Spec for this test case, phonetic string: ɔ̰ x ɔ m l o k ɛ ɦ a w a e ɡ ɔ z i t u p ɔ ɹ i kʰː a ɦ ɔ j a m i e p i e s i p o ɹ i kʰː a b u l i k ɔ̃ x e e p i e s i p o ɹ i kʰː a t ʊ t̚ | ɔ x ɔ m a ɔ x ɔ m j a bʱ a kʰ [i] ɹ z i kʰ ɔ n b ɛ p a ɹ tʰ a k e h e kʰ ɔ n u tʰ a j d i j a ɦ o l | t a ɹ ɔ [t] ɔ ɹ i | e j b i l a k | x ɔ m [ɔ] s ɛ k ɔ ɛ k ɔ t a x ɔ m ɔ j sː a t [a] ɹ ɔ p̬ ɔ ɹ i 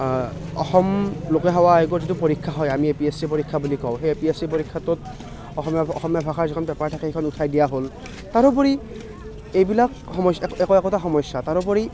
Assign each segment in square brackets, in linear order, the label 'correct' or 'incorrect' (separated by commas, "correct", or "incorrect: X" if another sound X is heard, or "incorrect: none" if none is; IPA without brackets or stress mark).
incorrect: a, incorrect: p, correct, correct